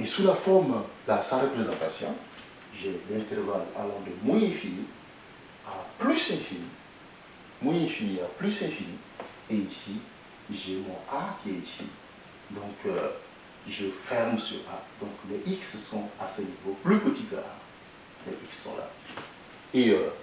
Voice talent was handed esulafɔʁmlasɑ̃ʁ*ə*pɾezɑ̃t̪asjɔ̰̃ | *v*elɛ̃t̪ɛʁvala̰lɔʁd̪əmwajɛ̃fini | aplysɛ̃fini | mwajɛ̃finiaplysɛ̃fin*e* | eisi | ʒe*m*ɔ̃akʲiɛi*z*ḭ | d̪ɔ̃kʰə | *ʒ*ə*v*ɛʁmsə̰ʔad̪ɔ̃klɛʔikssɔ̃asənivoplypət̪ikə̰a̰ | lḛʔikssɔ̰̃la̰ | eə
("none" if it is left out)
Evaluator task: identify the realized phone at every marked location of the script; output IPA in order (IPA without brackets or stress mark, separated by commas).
ə, ʒ, i, m, s, ʒ, f